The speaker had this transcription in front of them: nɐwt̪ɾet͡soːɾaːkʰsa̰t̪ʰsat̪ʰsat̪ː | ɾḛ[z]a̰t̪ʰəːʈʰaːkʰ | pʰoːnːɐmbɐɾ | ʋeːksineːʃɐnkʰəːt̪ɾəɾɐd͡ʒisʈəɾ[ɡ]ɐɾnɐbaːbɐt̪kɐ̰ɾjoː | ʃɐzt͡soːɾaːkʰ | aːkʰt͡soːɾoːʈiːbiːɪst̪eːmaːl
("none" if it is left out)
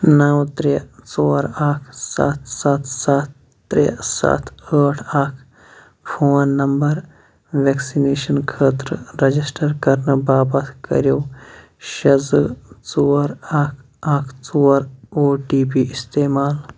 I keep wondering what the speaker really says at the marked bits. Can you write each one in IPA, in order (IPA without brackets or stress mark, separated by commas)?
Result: s, k